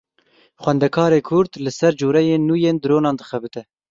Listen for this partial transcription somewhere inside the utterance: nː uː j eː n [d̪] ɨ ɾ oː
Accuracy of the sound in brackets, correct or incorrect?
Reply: correct